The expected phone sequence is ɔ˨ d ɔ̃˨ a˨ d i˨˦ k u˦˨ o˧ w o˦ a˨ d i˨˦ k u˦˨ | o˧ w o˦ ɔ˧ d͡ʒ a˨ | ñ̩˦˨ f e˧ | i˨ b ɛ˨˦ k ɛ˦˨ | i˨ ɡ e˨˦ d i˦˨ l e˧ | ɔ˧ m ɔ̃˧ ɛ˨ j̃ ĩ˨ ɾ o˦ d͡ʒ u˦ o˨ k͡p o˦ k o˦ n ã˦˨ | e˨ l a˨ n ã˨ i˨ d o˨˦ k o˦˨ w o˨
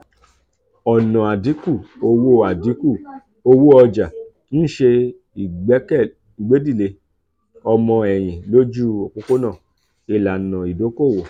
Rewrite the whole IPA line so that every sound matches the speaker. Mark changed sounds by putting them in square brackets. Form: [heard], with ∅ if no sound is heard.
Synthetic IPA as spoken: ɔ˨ [n] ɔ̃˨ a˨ d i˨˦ k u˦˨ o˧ w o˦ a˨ d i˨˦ k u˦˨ | o˧ w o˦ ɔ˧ d͡ʒ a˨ | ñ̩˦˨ [ʃ] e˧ | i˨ [ɡ͡b] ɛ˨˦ k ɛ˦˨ | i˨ [ɡ͡b] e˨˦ d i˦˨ l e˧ | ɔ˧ m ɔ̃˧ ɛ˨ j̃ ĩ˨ [l] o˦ d͡ʒ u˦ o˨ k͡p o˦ k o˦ n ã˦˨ | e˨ l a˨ n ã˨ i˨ d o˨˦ k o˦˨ w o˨